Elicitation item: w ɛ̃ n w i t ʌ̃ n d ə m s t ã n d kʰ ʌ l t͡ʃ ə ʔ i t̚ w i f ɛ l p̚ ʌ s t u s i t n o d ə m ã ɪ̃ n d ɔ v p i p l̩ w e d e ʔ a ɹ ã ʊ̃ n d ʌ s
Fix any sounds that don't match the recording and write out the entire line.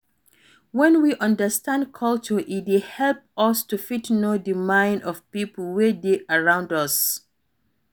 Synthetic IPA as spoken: w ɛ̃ n w i ʔ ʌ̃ n d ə s t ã n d kʰ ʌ l t͡ʃ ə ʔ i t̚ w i h ɛ l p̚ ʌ s t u f i t n o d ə m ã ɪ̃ n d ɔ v p i p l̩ w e d e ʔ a ɹ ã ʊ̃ n d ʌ s